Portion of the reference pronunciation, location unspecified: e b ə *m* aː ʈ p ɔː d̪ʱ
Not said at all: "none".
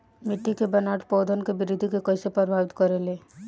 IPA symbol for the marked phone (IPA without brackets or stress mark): n